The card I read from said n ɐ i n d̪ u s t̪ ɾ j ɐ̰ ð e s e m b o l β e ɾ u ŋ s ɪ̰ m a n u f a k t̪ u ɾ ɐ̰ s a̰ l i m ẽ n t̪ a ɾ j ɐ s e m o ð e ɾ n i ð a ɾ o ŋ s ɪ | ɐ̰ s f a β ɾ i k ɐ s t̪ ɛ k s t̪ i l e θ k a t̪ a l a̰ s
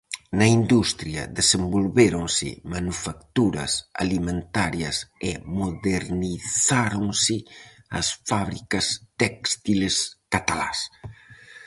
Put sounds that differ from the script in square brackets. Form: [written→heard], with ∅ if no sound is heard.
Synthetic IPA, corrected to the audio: n ɐ i n d̪ u s t̪ ɾ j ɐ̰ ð e s e m b o l β e ɾ [u→o] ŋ s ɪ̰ m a n u f a k t̪ u ɾ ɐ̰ s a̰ l i m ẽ n t̪ a ɾ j ɐ s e m o ð e ɾ n i [ð→θ] a ɾ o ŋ s ɪ | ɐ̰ s f a β ɾ i k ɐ s t̪ ɛ k s t̪ i l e [θ→s] k a t̪ a l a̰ s

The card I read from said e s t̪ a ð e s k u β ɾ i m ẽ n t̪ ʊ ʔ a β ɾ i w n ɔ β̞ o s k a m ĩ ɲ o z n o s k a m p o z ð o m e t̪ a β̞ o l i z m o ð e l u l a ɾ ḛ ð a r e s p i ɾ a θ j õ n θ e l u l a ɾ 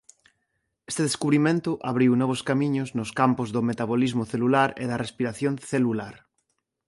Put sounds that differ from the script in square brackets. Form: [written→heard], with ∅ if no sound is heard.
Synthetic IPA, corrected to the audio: e s t̪ [a→e] ð e s k u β ɾ i m ẽ n t̪ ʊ ʔ a β ɾ i w n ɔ β̞ o s k a m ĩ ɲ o z n o s k a m p o z ð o m e t̪ a β̞ o l i z m o [ð→θ] e l u l a ɾ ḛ ð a r e s p i ɾ a θ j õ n θ e l u l a ɾ

